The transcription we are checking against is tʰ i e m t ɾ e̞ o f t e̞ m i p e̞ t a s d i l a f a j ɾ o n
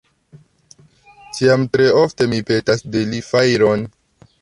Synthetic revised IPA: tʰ i a m t ɾ e̞ o f t e̞ m i p e̞ t a s d e l i f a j ɾ o n